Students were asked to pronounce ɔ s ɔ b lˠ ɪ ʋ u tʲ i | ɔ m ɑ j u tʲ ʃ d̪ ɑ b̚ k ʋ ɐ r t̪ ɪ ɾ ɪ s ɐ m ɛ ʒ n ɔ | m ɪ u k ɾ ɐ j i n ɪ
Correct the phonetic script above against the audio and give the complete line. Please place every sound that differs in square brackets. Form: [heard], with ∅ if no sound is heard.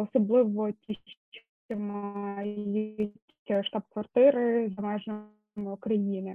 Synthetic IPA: ɔ s ɔ b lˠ ɪ ʋ [ɔ] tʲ i | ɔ m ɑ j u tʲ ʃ [t̪] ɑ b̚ k ʋ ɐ r t̪ ɪ ɾ ɪ [z] ɐ m ɛ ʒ n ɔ | m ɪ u k ɾ ɐ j i n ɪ